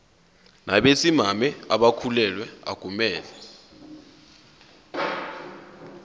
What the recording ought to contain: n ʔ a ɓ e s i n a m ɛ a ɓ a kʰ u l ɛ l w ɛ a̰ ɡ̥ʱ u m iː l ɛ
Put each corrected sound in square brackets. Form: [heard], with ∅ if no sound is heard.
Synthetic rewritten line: n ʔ a ɓ e s i [m] a m ɛ a ɓ a kʰ u l ɛ l w ɛ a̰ ɡ̥ʱ u m [ɛː] l ɛ